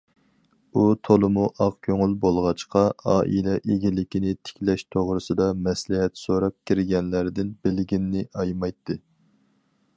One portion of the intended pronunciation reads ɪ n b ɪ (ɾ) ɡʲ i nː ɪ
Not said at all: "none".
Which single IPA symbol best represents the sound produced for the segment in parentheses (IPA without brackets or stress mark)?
l